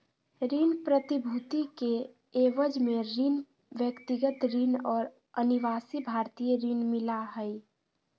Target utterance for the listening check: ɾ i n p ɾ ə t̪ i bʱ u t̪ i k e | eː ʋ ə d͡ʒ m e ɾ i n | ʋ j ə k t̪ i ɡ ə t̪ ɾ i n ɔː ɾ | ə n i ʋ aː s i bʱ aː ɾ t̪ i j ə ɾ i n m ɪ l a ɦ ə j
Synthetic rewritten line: ɾ i n p ɾ ə t̪ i bʱ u t̪ i k e | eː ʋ ə d͡ʒ m e ɾ i n | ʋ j ə k t̪ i ɡ ə t̪ ɾ i n ɔː ɾ | ə n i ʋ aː s i bʱ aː ɾ t̪ i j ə ɾ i n m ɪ l a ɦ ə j